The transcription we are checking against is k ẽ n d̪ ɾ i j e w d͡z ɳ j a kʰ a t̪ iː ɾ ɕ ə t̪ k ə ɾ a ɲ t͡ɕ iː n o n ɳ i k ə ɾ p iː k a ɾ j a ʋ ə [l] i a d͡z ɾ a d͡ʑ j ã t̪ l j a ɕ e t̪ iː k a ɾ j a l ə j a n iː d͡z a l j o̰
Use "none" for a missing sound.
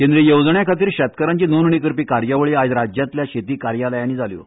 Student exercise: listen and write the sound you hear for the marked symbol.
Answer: ɭ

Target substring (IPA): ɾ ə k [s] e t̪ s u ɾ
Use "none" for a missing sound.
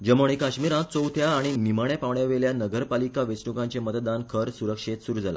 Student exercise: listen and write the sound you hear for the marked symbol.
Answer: ʂ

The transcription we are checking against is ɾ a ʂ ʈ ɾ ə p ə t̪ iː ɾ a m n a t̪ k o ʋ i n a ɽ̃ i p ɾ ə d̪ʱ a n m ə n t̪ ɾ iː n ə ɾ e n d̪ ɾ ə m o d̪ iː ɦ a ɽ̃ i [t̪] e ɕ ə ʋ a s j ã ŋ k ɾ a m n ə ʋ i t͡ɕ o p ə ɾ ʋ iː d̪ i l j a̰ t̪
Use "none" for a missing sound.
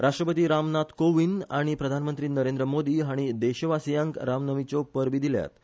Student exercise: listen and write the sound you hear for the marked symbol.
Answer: d̪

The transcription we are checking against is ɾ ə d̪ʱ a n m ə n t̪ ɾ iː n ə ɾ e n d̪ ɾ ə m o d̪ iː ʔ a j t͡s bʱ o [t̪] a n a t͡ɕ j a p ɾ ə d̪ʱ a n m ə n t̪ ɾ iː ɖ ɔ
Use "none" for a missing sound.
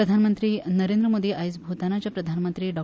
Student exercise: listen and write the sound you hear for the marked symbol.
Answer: t̪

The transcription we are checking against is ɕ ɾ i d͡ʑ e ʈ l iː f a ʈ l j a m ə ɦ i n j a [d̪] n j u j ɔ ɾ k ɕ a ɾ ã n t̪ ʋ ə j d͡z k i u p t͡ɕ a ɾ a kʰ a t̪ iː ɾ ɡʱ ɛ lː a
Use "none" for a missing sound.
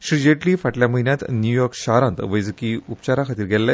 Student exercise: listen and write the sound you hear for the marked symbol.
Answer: t̪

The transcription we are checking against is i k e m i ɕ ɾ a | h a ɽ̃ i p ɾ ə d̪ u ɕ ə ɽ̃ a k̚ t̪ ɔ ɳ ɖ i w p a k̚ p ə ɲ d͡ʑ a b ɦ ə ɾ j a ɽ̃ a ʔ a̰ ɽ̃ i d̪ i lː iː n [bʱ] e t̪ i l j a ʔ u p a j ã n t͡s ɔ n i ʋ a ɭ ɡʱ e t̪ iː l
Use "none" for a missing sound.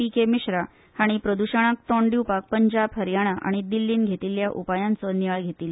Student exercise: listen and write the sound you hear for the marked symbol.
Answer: ɡʱ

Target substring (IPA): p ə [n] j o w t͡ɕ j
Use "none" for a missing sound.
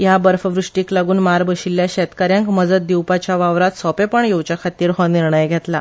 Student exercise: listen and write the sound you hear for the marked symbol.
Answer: ɳ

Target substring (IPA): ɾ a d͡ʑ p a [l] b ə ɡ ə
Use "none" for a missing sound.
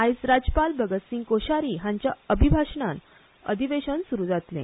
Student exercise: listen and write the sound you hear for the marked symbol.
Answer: l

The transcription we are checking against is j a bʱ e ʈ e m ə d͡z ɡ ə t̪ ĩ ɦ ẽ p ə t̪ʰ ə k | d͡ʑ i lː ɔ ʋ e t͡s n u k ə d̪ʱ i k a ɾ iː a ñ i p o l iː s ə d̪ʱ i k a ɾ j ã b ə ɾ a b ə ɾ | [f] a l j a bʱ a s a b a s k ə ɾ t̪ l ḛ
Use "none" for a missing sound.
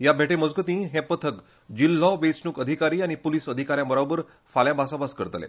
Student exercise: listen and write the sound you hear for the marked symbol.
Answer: f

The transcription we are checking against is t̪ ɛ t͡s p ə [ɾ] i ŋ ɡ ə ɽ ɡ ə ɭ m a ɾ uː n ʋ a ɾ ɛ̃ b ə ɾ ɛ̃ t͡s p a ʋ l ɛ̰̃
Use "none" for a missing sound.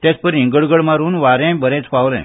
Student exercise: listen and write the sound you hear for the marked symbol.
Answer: ɾ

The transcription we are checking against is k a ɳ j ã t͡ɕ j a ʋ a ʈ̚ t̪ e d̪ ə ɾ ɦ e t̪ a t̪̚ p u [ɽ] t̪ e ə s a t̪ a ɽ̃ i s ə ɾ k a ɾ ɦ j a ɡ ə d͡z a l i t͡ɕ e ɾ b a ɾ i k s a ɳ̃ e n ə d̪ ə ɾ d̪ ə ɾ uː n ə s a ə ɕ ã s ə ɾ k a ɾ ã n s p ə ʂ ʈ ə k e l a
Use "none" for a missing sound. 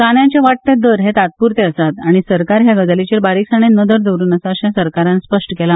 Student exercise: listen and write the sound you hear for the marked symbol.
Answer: ɾ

